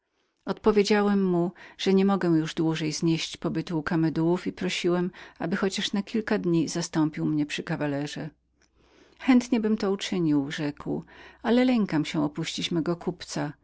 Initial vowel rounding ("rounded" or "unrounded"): rounded